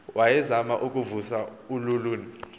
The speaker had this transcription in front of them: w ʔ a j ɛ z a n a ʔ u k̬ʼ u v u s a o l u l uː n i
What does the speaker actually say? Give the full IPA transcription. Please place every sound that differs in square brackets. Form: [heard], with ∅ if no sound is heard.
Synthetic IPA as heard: w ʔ a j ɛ z a [m] a ʔ u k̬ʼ u v u s a [u] l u l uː n i